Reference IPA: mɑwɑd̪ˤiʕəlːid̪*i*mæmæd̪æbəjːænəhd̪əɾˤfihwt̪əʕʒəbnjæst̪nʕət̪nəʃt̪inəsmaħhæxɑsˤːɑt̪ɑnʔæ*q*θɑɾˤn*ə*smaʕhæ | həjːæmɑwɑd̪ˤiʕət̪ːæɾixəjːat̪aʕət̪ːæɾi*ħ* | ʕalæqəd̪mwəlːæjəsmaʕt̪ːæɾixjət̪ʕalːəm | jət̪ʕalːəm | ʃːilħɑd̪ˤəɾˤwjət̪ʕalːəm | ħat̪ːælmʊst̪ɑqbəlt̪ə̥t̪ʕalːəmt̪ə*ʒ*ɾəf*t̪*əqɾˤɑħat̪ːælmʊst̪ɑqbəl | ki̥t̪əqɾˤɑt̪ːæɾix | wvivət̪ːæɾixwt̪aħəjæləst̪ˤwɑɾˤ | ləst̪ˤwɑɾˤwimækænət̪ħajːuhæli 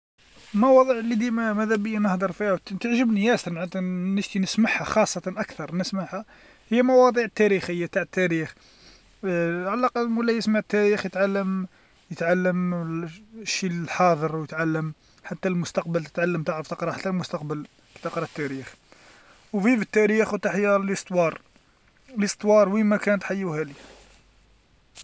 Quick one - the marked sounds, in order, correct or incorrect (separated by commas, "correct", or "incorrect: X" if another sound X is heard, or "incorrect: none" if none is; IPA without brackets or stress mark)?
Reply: correct, incorrect: k, correct, incorrect: x, incorrect: ʕ, correct